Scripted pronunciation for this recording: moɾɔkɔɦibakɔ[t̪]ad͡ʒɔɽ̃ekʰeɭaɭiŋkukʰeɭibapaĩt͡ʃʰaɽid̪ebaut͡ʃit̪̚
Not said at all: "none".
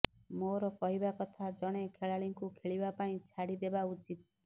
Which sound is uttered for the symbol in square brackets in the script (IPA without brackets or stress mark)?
t̪ʰ